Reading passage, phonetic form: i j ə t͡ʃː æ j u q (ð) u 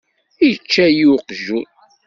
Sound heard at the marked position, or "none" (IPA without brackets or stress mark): ʒ